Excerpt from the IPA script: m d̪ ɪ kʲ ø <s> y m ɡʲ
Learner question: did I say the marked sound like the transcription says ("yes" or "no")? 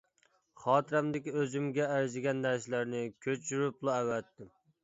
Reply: no